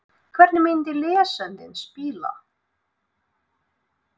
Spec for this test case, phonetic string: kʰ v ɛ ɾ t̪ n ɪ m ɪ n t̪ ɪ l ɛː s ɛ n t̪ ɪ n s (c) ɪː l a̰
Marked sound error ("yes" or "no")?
yes